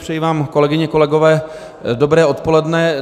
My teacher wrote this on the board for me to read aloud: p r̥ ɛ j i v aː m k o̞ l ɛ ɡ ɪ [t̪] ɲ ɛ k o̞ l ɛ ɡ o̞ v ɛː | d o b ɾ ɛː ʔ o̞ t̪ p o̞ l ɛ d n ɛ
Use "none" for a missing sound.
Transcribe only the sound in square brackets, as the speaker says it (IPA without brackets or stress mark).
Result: none